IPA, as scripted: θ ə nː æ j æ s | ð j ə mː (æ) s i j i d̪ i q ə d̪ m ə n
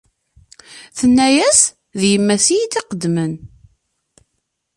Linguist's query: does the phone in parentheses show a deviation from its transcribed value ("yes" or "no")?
no